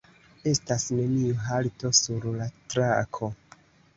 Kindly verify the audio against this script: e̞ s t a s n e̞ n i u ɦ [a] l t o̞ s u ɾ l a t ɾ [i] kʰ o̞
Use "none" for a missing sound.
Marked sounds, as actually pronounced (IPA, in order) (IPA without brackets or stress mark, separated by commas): a, a